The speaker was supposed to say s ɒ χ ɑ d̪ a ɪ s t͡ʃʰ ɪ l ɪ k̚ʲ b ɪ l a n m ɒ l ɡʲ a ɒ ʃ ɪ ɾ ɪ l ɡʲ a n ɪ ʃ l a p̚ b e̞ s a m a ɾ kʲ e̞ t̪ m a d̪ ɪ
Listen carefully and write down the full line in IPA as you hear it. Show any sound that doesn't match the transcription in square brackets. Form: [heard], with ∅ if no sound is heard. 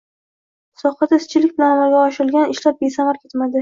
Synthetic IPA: s ɒ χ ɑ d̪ a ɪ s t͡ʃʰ ɪ l ɪ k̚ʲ b ɪ l a n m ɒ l ɡʲ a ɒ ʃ ɪ ɾ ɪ l ɡʲ a n ɪ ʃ l a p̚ b e̞ s a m a ɾ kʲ e̞ t̪ m a d̪ ɪ

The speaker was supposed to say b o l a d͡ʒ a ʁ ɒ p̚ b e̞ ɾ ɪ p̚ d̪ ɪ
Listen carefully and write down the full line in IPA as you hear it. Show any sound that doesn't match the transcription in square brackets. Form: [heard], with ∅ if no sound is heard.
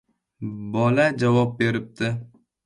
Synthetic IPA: b [ɒ] l a d͡ʒ a [v] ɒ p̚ b e̞ ɾ ɪ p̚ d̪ ɪ

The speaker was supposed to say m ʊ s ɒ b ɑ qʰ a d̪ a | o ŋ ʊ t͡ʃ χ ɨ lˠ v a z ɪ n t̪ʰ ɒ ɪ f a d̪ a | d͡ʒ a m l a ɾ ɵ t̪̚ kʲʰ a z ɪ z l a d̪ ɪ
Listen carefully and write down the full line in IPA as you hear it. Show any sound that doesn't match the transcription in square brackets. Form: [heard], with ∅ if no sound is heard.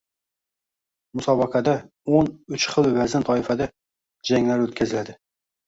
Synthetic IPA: m ʊ s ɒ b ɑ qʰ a d̪ a | o [n] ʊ t͡ʃ χ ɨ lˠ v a z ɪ n t̪ʰ ɒ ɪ f a d̪ a | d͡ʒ a [ŋ] l a ɾ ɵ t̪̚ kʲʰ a z ɪ [∅] l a d̪ ɪ

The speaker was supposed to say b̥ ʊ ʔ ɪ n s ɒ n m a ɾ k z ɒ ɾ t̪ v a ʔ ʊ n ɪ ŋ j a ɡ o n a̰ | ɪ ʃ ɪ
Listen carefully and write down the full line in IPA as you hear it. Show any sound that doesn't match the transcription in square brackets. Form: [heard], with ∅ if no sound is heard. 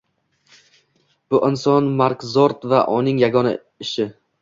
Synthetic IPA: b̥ ʊ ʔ ɪ n s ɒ n m a ɾ k z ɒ ɾ t̪ v a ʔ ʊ n ɪ ŋ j a ɡ [ɒ] n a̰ | ɪ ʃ ɪ

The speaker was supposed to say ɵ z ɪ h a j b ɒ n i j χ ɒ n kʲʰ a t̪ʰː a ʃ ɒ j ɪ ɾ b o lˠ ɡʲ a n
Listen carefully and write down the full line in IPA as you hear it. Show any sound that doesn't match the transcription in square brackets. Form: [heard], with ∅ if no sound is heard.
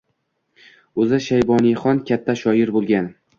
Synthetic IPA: ɵ z ɪ [ʃ] a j b ɒ n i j χ ɒ n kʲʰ a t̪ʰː a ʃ ɒ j ɪ ɾ b o lˠ ɡʲ a n

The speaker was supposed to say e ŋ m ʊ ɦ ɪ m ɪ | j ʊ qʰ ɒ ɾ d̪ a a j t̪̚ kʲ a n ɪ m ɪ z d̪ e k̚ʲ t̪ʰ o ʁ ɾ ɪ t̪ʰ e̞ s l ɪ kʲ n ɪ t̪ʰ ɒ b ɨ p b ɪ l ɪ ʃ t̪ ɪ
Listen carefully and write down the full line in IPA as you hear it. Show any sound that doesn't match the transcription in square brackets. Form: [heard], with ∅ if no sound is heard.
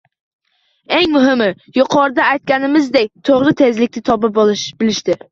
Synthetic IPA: e ŋ m ʊ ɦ ɪ m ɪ | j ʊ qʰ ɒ ɾ d̪ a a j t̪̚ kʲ a n ɪ m ɪ z d̪ e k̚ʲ t̪ʰ o ʁ ɾ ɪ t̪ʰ e̞ [z] l ɪ kʲ n ɪ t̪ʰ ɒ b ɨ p b ɪ l ɪ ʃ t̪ ɪ

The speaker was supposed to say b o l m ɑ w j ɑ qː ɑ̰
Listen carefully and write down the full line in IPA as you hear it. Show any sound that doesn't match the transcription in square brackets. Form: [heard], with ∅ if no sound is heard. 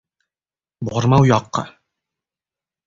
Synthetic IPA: b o [ɾ] m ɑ w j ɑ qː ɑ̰

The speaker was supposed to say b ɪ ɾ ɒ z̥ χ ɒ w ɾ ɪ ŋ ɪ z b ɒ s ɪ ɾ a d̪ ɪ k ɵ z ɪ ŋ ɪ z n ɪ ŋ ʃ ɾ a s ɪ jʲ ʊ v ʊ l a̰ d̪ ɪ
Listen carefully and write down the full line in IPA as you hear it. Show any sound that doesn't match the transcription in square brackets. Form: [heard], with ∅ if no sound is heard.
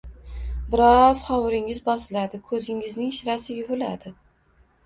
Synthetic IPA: b ɪ ɾ ɒ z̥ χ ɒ w ɾ ɪ ŋ ɪ z b ɒ s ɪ [l] a d̪ ɪ [kʰ] ɵ z ɪ ŋ ɪ z n ɪ ŋ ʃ ɾ a s ɪ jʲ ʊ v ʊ l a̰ d̪ ɪ

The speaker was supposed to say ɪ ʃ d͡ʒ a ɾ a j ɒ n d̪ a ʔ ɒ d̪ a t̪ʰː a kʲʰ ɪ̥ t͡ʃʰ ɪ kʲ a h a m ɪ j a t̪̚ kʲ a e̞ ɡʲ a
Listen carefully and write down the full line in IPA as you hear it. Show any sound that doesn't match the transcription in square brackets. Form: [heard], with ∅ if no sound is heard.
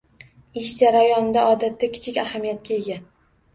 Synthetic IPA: ɪ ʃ d͡ʒ a ɾ a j ɒ n d̪ a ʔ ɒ d̪ a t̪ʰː a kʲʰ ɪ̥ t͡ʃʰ ɪ kʲ a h a m [i] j a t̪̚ kʲ a e̞ ɡʲ a

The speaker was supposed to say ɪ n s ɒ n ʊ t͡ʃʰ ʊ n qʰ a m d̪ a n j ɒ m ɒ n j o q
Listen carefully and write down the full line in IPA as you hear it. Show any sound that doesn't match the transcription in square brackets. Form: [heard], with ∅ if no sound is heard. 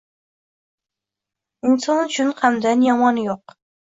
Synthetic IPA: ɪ n s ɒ n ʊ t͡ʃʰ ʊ n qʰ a m d̪ a n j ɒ m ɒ n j o q

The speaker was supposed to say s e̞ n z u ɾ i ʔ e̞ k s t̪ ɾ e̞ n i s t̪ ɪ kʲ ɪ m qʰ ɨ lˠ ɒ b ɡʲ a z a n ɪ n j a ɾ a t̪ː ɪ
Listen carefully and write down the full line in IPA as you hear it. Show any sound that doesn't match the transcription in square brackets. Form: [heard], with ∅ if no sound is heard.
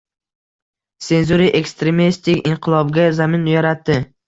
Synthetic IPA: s e̞ n z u ɾ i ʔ e̞ k s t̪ ɾ e̞ [m] i s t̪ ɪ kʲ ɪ [ɴ] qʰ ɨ lˠ ɒ b ɡʲ a z a [m] ɪ n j a ɾ a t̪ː ɪ

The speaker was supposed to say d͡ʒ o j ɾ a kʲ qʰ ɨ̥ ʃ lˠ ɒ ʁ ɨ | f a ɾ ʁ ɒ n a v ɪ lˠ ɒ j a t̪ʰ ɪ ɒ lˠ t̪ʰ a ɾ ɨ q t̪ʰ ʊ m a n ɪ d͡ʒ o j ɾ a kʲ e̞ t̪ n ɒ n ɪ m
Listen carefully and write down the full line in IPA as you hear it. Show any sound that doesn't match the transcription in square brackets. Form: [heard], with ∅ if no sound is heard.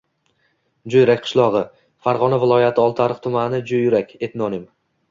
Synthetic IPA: d͡ʒ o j ɾ a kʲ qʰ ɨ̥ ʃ lˠ ɒ ʁ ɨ | f a ɾ ʁ ɒ n a v ɪ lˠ ɒ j a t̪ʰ ɪ ɒ lˠ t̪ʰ a ɾ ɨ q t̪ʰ ʊ m a n ɪ d͡ʒ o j ɾ a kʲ e̞ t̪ n ɒ n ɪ m

